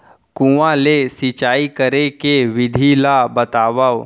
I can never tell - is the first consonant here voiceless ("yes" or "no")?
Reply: yes